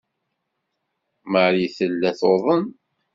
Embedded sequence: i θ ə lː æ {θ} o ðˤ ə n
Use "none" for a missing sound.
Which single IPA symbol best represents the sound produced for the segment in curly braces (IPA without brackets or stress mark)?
θ